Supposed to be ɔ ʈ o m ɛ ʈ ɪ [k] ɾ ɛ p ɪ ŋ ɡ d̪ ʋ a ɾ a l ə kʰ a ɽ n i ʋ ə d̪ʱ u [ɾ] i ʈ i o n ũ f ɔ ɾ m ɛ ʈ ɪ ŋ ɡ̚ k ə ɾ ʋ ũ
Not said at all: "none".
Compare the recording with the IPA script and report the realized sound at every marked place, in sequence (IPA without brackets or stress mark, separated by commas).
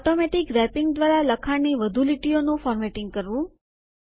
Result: k, l